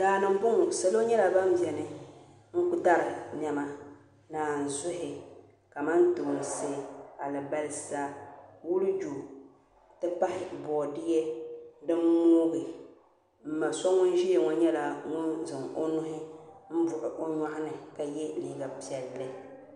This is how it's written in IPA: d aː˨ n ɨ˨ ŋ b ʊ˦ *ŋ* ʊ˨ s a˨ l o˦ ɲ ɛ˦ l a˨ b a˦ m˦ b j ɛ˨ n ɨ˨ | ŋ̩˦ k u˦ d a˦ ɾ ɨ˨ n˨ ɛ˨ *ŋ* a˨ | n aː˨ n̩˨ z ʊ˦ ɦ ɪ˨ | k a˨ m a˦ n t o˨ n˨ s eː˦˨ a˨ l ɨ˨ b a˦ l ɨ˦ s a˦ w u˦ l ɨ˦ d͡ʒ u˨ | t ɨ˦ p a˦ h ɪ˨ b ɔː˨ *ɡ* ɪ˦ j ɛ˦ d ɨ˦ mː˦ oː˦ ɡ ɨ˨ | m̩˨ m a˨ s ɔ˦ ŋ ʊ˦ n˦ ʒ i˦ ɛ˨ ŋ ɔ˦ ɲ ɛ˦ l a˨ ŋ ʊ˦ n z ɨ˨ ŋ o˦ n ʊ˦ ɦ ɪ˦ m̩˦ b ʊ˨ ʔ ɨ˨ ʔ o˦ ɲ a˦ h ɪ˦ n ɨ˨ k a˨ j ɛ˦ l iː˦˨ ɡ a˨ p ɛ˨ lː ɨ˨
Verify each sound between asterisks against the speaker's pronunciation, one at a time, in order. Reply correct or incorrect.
correct, incorrect, incorrect

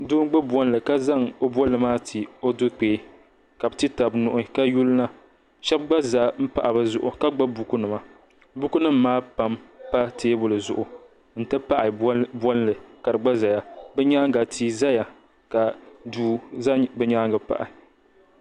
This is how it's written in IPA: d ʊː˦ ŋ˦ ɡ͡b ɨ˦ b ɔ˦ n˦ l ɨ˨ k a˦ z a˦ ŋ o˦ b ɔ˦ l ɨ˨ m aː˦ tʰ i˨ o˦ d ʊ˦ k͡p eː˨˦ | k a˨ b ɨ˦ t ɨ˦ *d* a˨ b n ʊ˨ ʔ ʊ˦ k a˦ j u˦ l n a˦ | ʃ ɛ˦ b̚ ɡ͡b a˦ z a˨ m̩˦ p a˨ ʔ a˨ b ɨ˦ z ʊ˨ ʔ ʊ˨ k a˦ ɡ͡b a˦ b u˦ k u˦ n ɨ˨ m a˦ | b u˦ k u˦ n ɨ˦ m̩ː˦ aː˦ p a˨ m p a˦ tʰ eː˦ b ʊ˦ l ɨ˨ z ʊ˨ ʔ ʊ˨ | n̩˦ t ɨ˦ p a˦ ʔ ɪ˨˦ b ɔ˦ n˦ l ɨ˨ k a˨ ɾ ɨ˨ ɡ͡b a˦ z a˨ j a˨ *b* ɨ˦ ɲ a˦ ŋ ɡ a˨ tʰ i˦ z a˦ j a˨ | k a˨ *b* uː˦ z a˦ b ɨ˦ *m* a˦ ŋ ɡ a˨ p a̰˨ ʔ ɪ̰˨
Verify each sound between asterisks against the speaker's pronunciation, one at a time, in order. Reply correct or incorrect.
incorrect, correct, incorrect, incorrect

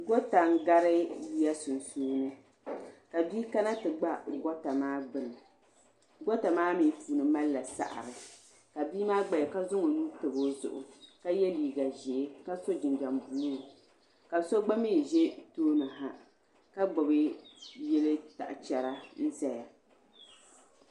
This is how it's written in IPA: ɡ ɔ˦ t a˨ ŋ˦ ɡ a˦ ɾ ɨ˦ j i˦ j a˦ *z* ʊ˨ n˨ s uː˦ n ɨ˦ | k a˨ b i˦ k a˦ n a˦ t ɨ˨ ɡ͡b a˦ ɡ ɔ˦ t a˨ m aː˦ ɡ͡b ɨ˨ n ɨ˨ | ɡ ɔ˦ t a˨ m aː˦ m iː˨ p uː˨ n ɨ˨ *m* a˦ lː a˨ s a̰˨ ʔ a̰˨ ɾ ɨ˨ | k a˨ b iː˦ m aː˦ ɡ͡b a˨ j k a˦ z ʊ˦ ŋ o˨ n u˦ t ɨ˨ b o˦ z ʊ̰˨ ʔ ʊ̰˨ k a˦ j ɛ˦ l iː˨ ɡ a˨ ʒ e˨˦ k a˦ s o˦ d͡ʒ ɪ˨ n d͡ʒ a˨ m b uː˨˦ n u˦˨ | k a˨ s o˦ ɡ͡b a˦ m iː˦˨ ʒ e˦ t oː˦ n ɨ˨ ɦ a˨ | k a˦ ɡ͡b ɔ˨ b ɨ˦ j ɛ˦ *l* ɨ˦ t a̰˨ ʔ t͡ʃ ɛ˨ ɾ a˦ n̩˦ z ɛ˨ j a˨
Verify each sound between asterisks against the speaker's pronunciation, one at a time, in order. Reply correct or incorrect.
incorrect, correct, correct

